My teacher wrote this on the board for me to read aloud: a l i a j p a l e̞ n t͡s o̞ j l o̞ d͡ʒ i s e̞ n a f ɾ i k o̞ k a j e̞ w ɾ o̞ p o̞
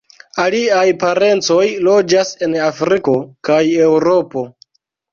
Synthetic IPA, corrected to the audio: a l i a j p a ɾ e̞ n t͡s o̞ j l o̞ d͡ʒ a s e̞ n a f ɾ i k o̞ k a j e̞ w ɾ o̞ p o̞